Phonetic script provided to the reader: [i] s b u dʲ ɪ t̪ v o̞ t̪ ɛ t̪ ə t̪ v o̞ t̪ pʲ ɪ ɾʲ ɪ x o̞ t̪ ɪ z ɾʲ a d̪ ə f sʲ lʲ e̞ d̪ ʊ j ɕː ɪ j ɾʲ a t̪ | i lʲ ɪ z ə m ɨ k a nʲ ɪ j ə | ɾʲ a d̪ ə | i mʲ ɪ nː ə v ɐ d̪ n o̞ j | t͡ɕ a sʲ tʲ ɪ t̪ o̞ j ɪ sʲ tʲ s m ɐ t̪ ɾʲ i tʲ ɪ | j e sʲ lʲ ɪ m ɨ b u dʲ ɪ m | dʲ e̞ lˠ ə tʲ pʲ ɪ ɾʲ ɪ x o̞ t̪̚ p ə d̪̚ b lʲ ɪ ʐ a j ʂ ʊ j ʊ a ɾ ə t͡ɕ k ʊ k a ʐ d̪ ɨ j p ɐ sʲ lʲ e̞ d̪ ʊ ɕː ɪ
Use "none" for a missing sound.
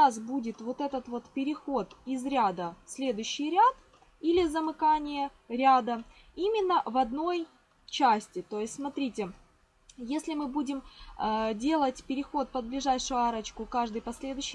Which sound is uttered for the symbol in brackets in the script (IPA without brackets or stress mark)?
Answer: a